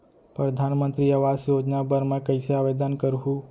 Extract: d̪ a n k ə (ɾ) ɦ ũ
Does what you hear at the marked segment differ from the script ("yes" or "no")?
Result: no